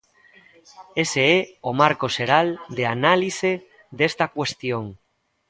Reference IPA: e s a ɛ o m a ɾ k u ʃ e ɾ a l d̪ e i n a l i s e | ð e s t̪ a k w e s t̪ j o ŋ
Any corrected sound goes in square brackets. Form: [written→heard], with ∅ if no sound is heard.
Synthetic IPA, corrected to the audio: e s [a→e] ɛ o m a ɾ k [u→o] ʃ e ɾ a l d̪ e [i→a] n a l i s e | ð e s t̪ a k w e s t̪ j o ŋ